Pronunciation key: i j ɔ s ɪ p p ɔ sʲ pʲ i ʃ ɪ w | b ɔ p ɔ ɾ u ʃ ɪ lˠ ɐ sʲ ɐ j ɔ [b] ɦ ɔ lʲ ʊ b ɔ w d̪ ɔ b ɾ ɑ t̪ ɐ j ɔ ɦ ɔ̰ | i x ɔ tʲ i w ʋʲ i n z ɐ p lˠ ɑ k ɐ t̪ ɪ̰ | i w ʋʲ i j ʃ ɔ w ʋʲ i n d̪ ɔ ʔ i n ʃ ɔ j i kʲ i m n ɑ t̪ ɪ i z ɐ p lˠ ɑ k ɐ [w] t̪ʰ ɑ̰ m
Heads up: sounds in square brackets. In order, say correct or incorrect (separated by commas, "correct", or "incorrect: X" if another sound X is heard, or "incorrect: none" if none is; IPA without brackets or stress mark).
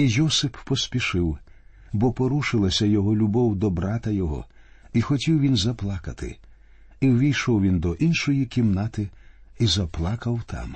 incorrect: none, correct